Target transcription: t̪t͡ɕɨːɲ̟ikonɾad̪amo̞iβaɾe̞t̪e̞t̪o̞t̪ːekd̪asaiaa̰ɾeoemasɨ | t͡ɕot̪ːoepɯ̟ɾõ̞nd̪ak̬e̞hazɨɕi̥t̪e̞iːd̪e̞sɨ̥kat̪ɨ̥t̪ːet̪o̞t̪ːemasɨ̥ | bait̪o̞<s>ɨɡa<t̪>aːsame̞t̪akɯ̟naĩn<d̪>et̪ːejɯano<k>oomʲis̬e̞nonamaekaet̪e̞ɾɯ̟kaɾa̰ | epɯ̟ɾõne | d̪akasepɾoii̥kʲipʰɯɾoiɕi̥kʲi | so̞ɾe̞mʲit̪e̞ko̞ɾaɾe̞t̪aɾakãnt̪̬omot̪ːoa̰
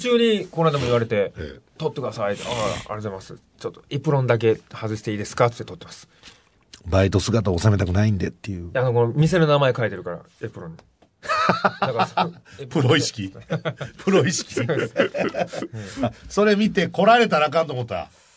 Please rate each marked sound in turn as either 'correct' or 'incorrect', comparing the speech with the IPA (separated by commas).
correct, correct, correct, correct